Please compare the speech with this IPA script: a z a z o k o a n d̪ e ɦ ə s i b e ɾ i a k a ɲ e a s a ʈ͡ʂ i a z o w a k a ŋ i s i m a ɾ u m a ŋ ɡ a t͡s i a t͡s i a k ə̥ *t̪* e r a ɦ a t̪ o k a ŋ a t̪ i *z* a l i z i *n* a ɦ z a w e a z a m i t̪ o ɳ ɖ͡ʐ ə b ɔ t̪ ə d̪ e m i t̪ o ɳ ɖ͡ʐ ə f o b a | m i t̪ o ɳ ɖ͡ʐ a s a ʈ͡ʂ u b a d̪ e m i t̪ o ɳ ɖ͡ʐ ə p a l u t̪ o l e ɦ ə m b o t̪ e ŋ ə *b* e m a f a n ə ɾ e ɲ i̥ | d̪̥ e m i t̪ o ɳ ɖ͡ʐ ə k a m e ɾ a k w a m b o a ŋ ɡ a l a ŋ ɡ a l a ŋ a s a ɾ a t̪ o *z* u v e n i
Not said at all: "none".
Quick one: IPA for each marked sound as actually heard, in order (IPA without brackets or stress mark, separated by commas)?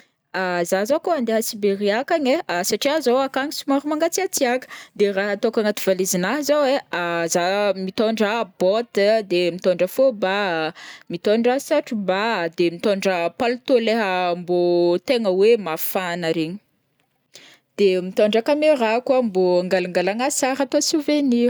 d̪, v, n, w, s